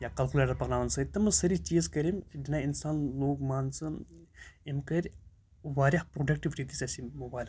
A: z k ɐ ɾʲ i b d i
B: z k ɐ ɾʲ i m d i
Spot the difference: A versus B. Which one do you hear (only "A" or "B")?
B